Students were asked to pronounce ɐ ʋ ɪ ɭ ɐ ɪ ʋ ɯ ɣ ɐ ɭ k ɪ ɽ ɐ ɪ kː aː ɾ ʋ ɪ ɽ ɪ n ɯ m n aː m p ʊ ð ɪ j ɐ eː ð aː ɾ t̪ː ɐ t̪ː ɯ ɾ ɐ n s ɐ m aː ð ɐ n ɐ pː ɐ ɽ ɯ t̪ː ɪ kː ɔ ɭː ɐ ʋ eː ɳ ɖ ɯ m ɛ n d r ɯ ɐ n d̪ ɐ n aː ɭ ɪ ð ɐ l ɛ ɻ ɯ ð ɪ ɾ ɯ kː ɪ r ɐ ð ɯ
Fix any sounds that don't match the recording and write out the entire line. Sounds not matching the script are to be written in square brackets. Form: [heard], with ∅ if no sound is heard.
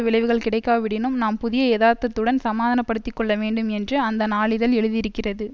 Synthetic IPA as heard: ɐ ʋ ɪ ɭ ɐ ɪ ʋ ɯ ɣ ɐ ɭ k ɪ ɽ ɐ ɪ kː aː [∅] ʋ ɪ ɽ ɪ n ɯ m n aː m p ʊ ð ɪ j ɐ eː ð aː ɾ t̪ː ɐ t̪ː ɯ [ɽ] ɐ n s ɐ m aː ð ɐ n ɐ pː ɐ ɽ ɯ t̪ː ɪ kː ɔ ɭː ɐ ʋ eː ɳ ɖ ɯ m ɛ n d r ɯ ɐ n d̪ ɐ n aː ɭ ɪ ð ɐ l ɛ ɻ ɯ ð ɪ ɾ ɯ kː ɪ r ɐ ð ɯ